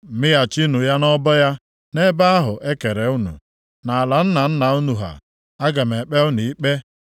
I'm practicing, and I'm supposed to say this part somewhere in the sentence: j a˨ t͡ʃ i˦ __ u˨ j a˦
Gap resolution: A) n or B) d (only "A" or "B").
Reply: A